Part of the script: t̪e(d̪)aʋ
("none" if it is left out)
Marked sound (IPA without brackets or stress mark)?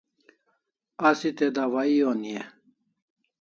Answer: d̪